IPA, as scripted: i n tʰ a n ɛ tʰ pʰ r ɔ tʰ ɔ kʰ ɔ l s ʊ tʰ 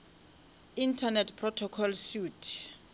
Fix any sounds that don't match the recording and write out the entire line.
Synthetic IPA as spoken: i n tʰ a n ɛ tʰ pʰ r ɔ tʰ ɔ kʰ ɔ l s u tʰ